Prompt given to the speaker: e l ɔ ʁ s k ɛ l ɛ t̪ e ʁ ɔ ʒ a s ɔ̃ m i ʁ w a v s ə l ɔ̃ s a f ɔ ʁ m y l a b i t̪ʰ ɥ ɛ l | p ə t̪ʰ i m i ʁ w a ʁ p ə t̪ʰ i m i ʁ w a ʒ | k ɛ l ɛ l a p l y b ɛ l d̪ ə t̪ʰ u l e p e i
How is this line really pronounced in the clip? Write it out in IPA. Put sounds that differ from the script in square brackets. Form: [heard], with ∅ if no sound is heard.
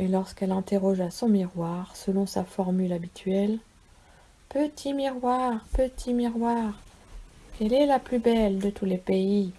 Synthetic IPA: e l ɔ ʁ s k ɛ l [ɛ̃] t̪ e ʁ ɔ ʒ a s ɔ̃ m i ʁ w a [ʁ] s ə l ɔ̃ s a f ɔ ʁ m y l a b i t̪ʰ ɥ ɛ l | p ə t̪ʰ i m i ʁ w a ʁ p ə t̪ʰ i m i ʁ w a [ʁ] | k ɛ l ɛ l a p l y b ɛ l d̪ ə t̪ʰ u l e p e i